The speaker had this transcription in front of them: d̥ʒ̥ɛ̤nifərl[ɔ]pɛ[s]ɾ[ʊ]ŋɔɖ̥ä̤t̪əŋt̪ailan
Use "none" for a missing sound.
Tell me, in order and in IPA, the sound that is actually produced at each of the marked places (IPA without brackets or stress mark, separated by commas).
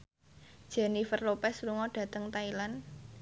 o, s, u